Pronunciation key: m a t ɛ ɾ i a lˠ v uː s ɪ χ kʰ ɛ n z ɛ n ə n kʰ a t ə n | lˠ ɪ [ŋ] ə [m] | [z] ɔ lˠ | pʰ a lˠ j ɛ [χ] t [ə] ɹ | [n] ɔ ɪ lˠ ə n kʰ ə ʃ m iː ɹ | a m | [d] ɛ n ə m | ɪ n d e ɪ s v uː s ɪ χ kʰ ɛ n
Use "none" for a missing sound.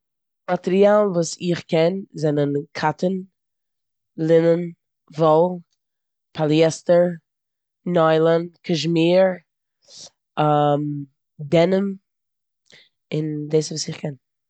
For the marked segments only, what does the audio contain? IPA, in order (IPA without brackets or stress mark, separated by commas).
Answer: n, n, v, s, ə, n, d